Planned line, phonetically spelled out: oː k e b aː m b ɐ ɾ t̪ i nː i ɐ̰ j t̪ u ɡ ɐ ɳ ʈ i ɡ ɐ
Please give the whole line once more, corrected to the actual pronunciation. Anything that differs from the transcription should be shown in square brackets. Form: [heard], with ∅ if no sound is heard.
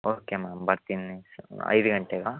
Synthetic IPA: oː k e [m] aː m b ɐ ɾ t̪ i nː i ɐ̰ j [d̪] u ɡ ɐ ɳ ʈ [e] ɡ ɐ